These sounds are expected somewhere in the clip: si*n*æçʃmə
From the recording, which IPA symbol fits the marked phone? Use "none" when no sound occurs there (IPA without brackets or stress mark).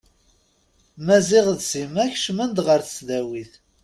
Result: m